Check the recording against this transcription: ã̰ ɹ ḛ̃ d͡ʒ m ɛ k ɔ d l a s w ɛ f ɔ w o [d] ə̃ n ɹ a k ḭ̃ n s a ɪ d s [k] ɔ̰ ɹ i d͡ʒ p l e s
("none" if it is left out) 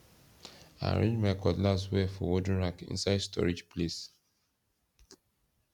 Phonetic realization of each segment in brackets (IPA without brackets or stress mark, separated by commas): d, t